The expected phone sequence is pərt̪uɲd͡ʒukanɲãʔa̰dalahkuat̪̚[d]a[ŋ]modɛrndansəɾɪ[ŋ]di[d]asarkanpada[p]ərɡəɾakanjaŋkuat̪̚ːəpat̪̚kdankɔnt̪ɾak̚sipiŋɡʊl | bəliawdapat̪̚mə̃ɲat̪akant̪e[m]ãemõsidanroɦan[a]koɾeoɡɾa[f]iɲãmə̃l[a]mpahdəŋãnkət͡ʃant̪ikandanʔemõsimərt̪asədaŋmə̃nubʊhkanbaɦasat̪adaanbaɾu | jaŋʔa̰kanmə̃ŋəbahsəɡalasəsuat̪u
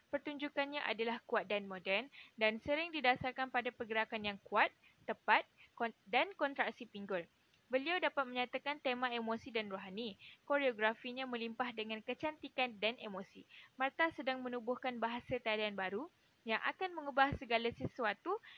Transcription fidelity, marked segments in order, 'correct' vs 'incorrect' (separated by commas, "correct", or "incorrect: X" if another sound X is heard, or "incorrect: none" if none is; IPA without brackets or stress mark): correct, incorrect: n, correct, correct, correct, correct, incorrect: i, correct, incorrect: i